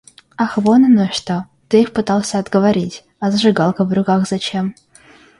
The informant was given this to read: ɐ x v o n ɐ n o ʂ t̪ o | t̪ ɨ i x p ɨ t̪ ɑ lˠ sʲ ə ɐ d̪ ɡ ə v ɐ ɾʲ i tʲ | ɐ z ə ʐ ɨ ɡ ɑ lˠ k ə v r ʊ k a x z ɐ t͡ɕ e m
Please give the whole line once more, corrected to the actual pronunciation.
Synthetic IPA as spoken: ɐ x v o n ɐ n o ʂ t̪ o | t̪ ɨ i x p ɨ t̪ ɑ lˠ sʲ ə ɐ d̪ ɡ ə v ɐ ɾʲ i tʲ | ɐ z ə ʐ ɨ ɡ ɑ lˠ k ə v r ʊ k a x z ɐ t͡ɕ e m